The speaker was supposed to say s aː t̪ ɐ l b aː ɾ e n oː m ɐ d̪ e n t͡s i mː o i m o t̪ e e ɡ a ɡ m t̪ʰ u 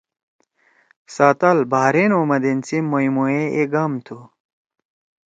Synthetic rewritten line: s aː t̪ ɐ l b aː ɾ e n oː m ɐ d̪ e n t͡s i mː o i m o e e ɡ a m t̪ʰ u

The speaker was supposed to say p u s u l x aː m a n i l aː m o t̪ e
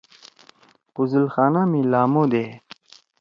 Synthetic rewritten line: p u z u l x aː n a m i l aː m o d̪ e

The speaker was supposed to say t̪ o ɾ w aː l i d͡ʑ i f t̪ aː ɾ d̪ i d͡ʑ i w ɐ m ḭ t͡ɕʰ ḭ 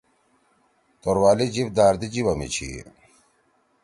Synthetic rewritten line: t̪ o ɾ w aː l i d͡ʑ i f d̪ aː ɾ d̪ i d͡ʑ i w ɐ m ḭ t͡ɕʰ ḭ

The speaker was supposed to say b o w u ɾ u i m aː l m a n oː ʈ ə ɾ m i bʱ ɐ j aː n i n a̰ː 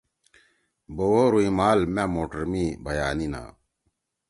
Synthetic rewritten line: b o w o ɾ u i m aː l m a m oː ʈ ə ɾ m i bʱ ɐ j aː n i n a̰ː

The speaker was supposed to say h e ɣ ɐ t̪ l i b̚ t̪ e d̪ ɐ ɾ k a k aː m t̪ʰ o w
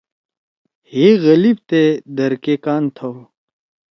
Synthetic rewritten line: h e ɣ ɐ l i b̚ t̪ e d̪ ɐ ɾ k e k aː n t̪ʰ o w

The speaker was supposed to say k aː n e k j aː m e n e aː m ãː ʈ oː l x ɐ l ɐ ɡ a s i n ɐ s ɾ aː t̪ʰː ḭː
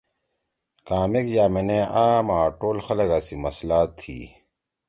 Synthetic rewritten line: k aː m e k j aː m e n e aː m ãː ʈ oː l x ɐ l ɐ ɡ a s i m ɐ s l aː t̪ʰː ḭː

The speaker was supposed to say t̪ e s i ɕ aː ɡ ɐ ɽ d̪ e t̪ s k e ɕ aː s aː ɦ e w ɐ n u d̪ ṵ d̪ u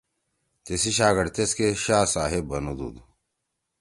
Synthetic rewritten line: t̪ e s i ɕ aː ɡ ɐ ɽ t̪ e s k e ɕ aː s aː ɦ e b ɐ n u d̪ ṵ d̪ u

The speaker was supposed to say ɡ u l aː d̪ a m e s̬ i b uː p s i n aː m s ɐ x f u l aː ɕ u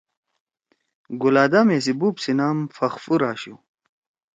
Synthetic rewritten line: ɡ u l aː d̪ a m e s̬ i b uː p s i n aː m f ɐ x f u ɾ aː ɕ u

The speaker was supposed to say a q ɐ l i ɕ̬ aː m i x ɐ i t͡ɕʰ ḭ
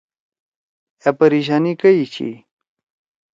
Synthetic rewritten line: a p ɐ ɾ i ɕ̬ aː n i k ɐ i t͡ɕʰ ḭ

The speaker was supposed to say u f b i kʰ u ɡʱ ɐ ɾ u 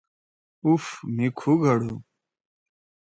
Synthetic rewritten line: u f m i kʰ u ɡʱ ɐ ɽ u

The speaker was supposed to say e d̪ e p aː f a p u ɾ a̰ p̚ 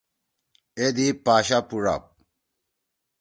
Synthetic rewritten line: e d̪ i p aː ɕ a p u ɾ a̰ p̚

